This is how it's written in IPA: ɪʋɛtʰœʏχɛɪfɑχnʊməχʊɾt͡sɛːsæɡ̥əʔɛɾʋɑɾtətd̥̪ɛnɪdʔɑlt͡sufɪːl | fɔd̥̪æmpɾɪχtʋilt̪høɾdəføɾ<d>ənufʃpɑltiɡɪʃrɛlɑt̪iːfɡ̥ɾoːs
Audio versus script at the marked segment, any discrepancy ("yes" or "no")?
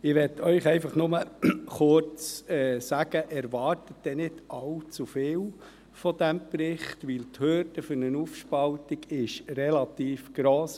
yes